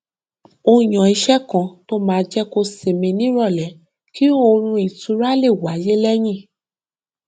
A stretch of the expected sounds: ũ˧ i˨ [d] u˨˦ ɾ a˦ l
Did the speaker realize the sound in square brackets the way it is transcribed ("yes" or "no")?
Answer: no